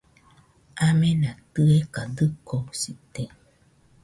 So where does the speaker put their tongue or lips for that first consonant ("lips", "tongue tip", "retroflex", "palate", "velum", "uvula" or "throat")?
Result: lips